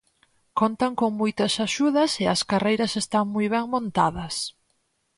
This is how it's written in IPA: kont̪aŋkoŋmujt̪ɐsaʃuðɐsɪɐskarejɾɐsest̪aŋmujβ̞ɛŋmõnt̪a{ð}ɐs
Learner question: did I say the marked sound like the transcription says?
yes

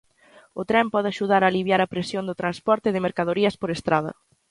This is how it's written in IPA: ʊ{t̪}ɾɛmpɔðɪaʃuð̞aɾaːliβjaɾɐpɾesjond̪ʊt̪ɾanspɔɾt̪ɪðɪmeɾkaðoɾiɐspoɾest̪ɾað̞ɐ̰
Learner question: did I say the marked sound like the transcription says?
yes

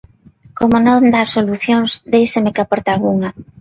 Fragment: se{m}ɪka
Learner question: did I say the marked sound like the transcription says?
yes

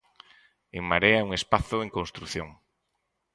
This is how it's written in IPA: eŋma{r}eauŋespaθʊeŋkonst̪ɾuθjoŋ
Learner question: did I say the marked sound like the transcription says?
no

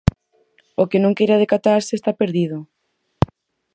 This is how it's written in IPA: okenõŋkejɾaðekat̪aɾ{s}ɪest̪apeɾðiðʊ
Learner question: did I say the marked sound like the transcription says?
yes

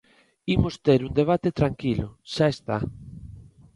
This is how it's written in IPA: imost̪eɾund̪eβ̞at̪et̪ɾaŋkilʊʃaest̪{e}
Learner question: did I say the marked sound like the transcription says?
no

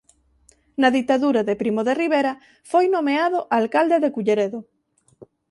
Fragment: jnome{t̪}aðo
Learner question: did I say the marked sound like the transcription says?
no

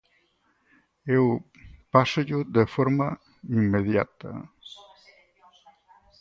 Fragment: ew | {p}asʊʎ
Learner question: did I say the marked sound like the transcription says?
yes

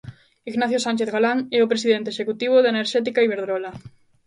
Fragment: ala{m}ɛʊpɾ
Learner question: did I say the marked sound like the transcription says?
no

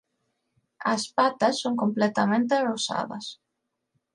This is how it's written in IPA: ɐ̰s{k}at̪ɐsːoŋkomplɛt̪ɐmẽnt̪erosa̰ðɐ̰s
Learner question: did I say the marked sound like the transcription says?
no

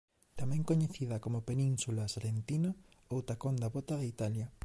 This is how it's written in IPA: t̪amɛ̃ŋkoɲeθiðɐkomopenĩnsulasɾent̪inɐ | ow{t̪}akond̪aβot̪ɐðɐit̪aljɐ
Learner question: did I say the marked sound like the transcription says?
yes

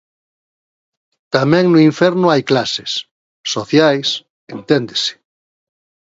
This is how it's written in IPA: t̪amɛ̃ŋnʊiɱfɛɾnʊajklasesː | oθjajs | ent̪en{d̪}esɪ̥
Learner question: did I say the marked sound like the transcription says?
yes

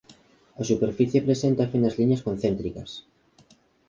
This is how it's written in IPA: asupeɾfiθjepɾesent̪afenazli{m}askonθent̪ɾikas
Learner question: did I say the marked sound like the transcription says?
no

